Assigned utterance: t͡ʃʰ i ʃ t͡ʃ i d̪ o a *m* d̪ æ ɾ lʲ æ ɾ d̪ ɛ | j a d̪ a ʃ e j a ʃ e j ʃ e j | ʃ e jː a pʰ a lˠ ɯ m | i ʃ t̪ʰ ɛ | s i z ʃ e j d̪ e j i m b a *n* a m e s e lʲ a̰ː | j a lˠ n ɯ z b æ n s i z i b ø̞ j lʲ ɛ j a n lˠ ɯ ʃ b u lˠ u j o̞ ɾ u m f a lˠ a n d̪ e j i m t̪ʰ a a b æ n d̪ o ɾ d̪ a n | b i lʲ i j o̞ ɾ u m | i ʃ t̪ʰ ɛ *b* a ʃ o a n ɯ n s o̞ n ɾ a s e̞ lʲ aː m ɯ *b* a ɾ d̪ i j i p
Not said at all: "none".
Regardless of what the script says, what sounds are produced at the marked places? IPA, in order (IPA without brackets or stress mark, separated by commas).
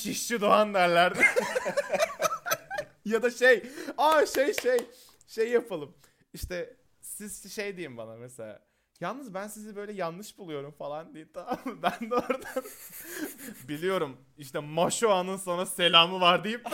n, n, m, v